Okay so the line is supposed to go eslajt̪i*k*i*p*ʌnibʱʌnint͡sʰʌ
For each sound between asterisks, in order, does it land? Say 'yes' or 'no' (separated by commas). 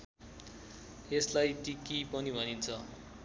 yes, yes